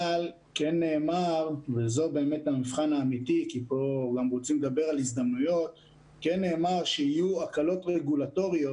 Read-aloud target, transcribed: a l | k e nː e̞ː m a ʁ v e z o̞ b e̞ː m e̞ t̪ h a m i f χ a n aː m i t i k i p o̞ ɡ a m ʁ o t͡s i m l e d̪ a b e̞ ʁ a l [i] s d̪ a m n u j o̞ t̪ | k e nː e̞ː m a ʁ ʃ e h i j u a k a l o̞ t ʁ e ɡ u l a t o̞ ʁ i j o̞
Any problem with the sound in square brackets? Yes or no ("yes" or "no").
no